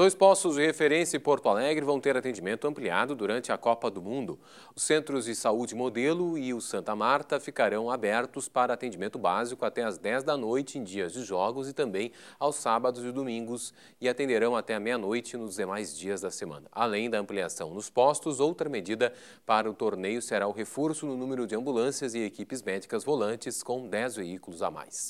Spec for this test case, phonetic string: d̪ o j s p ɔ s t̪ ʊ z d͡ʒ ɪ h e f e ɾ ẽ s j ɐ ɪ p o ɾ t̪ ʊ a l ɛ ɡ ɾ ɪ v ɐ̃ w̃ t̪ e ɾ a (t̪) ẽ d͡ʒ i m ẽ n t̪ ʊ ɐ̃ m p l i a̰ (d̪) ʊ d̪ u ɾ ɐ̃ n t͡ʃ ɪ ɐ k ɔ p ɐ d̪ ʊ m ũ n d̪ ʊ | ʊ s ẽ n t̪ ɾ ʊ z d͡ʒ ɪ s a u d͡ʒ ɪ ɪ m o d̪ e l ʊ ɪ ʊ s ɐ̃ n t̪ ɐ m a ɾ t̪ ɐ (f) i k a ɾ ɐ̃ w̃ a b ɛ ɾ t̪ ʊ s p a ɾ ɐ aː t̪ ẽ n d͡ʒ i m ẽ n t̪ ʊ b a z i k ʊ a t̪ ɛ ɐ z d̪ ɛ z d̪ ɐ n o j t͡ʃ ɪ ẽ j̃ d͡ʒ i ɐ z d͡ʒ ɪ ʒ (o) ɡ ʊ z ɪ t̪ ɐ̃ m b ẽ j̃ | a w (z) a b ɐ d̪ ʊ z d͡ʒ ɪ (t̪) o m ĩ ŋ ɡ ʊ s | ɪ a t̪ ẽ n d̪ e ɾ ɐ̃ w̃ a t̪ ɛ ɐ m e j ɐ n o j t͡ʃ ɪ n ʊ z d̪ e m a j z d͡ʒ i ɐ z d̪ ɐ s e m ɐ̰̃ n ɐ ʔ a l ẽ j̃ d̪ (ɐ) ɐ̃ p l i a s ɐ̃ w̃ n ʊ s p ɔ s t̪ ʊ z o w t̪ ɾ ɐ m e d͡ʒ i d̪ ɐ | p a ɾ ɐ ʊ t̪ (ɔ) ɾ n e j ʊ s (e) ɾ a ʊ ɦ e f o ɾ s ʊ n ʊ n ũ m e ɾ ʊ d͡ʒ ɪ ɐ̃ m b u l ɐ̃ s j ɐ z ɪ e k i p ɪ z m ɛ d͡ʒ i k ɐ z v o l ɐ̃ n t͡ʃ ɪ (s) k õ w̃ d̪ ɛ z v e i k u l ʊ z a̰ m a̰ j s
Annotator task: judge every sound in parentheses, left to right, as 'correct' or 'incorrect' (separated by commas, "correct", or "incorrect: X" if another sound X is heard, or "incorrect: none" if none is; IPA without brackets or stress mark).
correct, correct, correct, incorrect: ɔ, incorrect: s, incorrect: d̪, correct, incorrect: o, correct, correct